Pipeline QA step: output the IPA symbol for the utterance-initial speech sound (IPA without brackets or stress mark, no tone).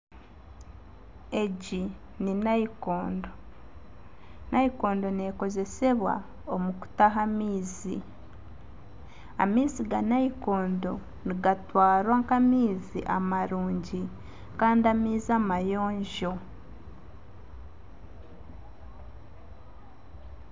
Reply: e̞